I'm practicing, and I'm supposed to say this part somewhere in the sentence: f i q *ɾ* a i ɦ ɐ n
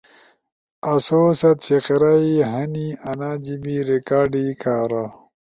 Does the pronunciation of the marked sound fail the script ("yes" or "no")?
no